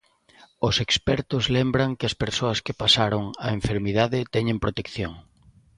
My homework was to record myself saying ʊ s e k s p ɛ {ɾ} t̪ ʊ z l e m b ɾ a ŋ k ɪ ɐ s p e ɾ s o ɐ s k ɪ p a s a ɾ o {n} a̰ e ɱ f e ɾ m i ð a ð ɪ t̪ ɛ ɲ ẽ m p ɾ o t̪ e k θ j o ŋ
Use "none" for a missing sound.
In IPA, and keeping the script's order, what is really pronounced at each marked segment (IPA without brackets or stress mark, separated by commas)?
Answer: ɾ, ŋ